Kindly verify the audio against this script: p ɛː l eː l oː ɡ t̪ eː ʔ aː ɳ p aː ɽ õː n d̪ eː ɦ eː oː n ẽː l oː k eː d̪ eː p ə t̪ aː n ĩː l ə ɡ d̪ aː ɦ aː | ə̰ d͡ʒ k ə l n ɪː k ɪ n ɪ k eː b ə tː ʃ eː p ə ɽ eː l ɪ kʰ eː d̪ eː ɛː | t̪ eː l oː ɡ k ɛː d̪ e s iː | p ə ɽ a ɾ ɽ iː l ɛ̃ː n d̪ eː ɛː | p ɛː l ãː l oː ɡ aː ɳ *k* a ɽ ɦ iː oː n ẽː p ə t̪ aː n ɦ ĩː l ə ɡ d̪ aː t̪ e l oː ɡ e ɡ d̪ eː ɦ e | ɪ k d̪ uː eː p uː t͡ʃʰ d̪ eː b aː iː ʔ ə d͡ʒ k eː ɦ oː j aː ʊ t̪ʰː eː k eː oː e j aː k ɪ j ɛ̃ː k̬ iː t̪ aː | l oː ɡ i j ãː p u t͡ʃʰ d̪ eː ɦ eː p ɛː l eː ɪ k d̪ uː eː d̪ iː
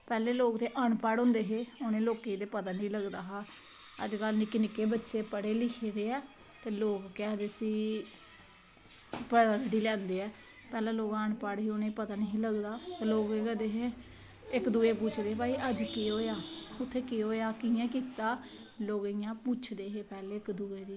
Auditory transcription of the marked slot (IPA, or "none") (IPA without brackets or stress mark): p